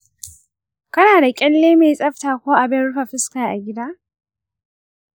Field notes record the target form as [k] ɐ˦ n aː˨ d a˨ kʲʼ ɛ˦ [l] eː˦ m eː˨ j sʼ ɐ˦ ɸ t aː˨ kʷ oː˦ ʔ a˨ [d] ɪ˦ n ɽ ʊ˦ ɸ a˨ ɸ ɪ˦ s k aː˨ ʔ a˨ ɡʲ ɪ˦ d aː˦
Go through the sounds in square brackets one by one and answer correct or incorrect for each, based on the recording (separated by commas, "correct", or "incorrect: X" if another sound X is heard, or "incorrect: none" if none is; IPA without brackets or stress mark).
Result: correct, incorrect: lː, incorrect: b